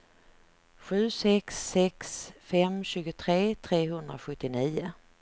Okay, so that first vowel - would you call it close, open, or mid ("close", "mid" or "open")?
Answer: close